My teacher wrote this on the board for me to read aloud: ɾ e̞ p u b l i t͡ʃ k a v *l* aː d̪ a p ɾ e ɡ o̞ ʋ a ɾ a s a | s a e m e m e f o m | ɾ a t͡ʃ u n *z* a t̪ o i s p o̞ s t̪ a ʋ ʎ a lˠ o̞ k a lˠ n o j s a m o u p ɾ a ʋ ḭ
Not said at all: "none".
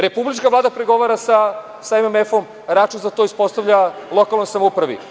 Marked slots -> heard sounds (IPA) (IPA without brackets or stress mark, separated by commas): l, z